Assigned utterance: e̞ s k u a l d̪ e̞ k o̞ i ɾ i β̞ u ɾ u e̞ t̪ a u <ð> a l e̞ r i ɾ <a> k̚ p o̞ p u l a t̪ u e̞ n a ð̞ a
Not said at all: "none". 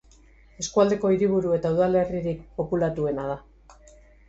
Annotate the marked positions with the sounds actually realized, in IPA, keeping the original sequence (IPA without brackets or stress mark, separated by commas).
ð, i